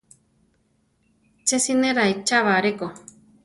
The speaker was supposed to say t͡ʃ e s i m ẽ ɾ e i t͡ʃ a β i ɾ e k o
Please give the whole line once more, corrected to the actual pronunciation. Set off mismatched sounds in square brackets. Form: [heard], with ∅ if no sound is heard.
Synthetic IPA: t͡ʃ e s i [n] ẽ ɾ [a] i t͡ʃ a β [a] ɾ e k o